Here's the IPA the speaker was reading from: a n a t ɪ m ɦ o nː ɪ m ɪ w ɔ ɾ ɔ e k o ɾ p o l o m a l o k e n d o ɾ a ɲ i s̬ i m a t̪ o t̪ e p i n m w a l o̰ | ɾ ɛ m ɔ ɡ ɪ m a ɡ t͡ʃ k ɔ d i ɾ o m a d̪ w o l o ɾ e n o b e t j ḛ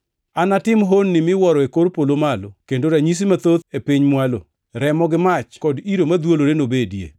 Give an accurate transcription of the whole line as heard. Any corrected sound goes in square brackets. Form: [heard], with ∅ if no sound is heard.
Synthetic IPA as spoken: a n a t ɪ m ɦ o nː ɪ m ɪ w ɔ ɾ ɔ e k o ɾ p o l o m a l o k e n d o ɾ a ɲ i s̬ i m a t̪ o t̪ e p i [ɲ] m w a l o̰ | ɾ ɛ m ɔ ɡ ɪ m a [∅] t͡ʃ k ɔ d i ɾ o m a d̪ w o l o ɾ e n o b e [d] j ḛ